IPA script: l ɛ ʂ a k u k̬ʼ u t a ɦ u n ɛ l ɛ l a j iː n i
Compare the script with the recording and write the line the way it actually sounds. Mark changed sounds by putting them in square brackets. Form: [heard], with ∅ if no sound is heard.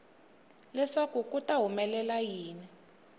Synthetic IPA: l ɛ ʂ a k u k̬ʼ u t a ɦ u [m] ɛ l ɛ l a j iː n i